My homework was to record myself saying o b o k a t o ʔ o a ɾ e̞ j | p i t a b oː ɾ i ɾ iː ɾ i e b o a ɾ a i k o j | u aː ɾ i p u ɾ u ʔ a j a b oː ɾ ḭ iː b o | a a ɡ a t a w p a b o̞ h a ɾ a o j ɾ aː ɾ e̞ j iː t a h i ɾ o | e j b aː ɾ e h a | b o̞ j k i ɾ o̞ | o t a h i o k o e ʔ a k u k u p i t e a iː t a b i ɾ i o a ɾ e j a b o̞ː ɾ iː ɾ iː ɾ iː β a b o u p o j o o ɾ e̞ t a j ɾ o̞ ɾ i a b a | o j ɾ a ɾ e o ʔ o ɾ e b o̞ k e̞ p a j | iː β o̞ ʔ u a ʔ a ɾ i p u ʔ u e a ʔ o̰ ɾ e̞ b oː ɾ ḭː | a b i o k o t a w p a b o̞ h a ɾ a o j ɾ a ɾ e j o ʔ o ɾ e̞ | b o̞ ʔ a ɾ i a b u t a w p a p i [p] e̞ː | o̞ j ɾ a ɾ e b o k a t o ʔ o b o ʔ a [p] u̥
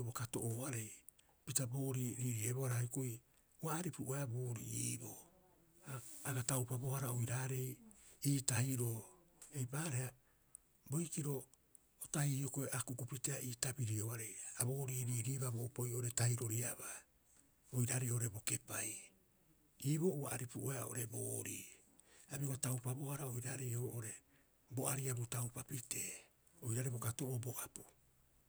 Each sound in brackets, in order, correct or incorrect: incorrect: t, correct

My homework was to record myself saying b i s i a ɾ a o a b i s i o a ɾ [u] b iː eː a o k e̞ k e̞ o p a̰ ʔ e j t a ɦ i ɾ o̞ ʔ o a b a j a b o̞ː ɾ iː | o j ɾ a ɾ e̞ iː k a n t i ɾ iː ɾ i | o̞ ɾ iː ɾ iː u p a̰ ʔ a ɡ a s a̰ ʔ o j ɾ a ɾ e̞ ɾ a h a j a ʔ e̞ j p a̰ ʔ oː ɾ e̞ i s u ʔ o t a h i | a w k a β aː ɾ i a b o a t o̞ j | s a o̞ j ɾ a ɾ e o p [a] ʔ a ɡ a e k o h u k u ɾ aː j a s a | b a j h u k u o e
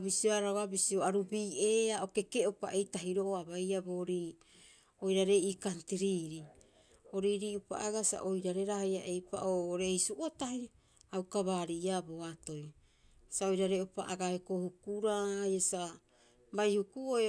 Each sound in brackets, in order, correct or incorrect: correct, correct

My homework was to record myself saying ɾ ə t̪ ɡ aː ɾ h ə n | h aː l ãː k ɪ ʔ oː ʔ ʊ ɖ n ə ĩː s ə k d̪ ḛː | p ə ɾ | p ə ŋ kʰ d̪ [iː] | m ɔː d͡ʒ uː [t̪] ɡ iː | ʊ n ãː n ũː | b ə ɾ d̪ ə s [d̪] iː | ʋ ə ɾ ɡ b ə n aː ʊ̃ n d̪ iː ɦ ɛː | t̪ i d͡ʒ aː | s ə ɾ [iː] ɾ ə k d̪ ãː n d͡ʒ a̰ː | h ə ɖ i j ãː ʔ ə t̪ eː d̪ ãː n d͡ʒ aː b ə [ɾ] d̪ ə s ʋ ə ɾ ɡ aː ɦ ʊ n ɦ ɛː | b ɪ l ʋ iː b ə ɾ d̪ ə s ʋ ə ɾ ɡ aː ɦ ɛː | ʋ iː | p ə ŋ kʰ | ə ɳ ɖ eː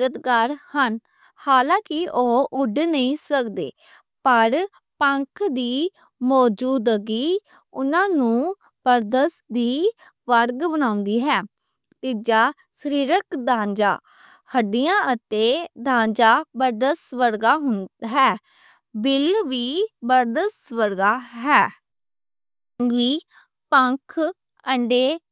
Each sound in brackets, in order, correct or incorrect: correct, incorrect: d̪, correct, correct, correct

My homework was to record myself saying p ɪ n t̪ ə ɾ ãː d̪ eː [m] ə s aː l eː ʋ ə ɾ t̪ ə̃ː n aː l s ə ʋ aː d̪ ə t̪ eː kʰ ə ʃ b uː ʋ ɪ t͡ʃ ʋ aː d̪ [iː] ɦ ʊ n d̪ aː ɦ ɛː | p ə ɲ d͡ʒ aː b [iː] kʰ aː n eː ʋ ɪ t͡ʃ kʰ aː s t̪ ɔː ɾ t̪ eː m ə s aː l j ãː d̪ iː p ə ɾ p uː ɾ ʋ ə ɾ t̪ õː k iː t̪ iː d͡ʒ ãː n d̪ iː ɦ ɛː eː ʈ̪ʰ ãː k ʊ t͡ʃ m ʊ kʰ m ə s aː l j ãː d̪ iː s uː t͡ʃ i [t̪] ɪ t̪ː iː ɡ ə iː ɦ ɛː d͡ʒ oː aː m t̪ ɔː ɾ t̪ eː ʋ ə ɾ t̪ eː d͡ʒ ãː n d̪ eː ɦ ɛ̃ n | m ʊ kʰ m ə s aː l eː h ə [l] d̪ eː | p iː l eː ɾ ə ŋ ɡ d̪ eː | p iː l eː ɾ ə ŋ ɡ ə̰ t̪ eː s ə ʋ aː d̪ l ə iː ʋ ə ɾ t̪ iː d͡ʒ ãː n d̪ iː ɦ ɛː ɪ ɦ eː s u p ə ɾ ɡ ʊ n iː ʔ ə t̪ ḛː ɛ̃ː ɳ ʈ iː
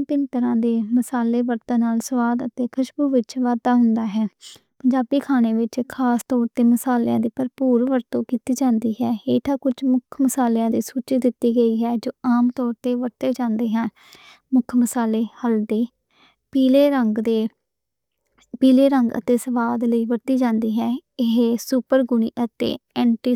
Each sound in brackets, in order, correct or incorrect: correct, incorrect: aː, correct, incorrect: d̪, correct

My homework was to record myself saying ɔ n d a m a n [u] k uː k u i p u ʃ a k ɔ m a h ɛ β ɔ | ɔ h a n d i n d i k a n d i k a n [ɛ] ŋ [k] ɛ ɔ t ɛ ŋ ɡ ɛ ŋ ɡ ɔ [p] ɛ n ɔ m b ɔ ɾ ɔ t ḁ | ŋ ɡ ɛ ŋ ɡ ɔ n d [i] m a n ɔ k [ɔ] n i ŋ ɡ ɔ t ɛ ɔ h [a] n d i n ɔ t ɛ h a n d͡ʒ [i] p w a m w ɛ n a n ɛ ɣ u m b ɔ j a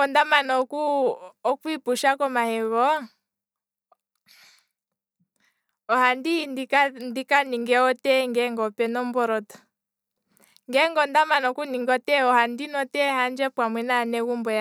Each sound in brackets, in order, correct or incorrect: incorrect: ɔ, incorrect: i, incorrect: ɡ, correct, incorrect: a, incorrect: u, correct, incorrect: ɛ

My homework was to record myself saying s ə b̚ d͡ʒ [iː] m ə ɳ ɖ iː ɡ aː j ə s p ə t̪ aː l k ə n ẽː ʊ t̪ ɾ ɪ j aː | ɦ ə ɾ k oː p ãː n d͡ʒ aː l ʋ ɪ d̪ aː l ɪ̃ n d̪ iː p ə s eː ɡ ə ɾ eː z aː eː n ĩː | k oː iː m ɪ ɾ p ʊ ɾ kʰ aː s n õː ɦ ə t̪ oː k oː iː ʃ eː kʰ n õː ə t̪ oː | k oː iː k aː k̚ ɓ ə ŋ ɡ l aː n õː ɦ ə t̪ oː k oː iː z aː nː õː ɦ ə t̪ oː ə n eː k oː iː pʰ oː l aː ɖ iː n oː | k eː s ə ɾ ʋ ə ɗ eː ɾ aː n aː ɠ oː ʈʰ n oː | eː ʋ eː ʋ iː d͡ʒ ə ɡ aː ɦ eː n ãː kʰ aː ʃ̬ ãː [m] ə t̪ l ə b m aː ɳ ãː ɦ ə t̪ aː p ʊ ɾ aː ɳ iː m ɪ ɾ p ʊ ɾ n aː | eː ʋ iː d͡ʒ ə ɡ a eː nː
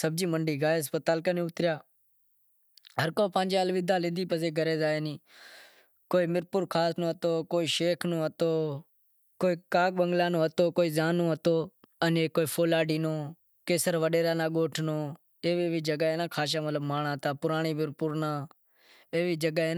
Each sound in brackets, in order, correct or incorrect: correct, correct

